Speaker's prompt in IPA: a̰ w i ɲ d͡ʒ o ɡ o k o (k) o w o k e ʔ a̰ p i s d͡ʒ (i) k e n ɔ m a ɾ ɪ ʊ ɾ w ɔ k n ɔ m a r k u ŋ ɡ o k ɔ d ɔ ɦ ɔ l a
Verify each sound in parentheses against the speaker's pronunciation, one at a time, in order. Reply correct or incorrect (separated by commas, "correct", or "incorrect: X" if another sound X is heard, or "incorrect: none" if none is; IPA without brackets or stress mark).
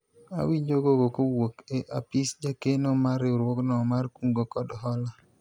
correct, incorrect: a